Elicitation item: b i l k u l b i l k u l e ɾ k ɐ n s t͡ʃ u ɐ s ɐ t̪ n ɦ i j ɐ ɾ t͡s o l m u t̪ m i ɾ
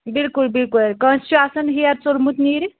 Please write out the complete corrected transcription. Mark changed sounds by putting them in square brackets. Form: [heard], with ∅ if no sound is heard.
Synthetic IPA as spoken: b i l k u l b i l k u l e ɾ k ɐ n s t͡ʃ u [a] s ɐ [∅] n ɦ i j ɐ ɾ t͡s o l m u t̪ [n] i ɾ